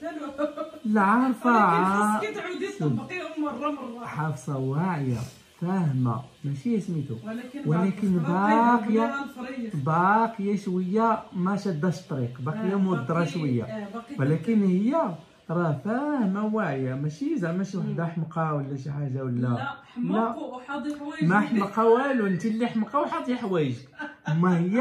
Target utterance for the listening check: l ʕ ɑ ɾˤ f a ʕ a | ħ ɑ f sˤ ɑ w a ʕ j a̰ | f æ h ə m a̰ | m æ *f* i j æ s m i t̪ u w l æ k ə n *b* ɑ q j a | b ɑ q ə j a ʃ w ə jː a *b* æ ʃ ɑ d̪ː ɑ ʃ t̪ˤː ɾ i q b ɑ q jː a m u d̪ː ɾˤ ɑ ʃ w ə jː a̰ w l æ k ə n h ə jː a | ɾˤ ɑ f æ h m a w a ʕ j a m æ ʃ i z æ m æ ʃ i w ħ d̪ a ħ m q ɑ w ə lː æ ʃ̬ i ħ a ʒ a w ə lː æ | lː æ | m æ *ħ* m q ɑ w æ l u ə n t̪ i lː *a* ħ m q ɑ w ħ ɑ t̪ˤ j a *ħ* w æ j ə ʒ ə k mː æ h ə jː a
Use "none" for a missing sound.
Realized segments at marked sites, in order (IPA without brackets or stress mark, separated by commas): ʃ, b, m, ħ, i, ħ